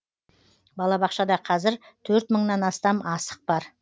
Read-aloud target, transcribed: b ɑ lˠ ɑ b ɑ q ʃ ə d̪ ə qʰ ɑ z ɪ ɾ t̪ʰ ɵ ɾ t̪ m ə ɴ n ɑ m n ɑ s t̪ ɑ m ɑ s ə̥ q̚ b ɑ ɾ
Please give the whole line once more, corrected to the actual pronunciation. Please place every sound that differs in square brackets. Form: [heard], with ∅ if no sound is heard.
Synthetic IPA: b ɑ lˠ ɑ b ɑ q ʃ [ɑ] d̪ [ɑ] qʰ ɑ z ɪ ɾ t̪ʰ ɵ ɾ t̪ m ə ɴ n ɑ [∅] n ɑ s t̪ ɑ m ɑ s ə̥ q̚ b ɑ ɾ

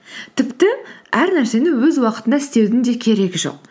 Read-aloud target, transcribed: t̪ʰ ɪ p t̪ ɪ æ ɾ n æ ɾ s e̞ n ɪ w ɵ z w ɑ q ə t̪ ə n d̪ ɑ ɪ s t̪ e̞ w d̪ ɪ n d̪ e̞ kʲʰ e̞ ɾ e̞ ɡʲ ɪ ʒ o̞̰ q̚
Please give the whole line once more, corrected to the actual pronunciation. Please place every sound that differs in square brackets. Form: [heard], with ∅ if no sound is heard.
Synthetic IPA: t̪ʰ ɪ p t̪ ɪ æ ɾ n æ ɾ s e̞ n ɪ w ɵ z w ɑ q ə t̪ ə n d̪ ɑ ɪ s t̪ e̞ w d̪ ɪ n d̪ e̞ kʲʰ e̞ ɾ e̞ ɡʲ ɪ ʒ o̞̰ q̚

